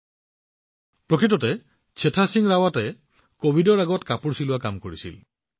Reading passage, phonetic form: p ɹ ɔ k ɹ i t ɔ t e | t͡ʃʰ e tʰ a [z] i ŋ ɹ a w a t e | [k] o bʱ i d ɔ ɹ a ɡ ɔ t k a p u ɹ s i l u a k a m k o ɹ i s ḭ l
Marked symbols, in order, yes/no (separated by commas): no, yes